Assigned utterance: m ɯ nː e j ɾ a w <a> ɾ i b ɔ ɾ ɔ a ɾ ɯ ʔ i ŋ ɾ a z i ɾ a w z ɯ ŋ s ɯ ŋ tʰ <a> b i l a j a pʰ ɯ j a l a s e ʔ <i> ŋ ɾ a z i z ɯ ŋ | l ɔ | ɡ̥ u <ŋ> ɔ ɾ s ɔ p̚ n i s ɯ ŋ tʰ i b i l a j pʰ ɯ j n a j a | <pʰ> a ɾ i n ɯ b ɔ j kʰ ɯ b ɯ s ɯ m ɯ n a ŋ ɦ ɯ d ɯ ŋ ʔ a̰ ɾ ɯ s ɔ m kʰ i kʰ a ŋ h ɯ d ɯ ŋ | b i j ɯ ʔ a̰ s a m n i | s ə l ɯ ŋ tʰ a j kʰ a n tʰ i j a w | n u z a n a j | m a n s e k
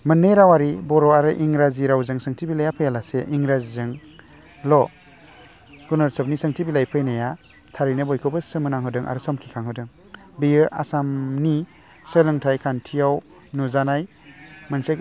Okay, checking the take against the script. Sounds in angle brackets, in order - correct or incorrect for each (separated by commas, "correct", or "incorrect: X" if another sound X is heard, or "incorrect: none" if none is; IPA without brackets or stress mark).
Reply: correct, incorrect: i, correct, incorrect: n, incorrect: tʰ